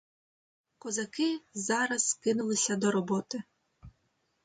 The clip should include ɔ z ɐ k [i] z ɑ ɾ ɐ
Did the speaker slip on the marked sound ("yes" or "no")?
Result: yes